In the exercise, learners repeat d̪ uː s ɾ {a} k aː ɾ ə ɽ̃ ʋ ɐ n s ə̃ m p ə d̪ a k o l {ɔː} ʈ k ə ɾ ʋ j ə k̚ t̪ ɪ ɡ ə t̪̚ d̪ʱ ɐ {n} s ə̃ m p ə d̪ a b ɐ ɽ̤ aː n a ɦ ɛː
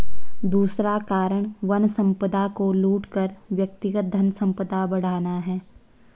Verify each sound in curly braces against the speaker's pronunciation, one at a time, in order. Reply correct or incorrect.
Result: correct, incorrect, correct

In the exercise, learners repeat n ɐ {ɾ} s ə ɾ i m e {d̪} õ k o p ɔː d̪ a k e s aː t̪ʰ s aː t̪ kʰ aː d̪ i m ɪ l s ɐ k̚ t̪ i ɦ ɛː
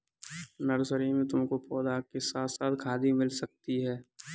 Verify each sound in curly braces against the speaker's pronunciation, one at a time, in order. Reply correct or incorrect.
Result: correct, incorrect

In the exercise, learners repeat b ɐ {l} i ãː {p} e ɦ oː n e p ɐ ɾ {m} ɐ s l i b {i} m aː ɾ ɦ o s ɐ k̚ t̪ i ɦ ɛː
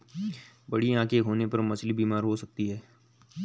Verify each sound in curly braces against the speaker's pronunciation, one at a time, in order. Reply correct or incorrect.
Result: incorrect, incorrect, correct, incorrect

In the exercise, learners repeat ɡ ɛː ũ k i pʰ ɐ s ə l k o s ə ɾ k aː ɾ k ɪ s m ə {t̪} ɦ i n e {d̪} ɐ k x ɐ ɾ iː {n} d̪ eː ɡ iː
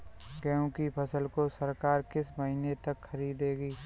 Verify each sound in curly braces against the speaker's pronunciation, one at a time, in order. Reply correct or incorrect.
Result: incorrect, incorrect, incorrect

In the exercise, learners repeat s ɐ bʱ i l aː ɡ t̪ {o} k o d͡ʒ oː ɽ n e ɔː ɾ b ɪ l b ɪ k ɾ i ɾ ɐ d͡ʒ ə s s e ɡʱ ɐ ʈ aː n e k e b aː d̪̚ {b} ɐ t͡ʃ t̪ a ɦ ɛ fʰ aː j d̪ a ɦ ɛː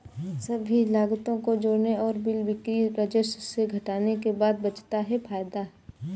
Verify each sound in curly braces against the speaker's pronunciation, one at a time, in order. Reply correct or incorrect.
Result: incorrect, correct

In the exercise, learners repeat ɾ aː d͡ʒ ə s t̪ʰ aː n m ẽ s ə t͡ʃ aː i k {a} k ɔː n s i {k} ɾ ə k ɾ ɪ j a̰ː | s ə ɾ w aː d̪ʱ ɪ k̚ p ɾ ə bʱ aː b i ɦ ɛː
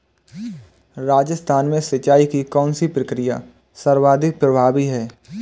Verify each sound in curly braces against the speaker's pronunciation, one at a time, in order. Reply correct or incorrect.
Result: incorrect, incorrect

